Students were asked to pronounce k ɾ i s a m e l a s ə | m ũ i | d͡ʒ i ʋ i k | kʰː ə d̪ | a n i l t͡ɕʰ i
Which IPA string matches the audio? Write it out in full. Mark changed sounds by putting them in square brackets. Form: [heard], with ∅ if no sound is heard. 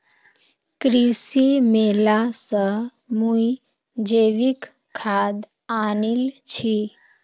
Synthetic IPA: k ɾ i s [i] m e l a s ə | m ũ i | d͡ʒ [e] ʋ i k | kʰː [a] d̪ | a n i l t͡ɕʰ i